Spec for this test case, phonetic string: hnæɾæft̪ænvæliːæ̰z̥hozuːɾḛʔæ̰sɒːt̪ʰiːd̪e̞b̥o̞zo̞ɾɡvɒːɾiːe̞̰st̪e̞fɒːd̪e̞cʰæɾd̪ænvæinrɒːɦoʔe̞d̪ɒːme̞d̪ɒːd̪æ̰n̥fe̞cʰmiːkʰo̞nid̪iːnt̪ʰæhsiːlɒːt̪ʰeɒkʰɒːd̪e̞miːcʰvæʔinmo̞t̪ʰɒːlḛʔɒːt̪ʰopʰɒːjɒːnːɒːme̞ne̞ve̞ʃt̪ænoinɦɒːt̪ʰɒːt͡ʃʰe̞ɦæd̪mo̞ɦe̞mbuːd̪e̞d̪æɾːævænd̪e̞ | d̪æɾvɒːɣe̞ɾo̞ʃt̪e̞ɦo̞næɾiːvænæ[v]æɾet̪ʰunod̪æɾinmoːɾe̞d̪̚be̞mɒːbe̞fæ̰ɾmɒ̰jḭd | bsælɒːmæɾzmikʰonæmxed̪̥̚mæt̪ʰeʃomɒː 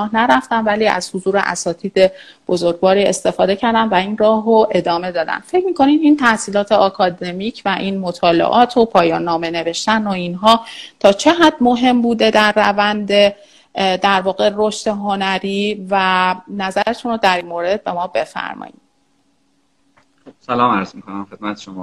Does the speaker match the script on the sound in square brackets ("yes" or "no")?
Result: no